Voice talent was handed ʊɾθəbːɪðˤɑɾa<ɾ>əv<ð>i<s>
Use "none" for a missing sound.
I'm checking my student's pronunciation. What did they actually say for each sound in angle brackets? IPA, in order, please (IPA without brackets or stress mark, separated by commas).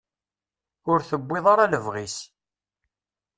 l, ʁ, s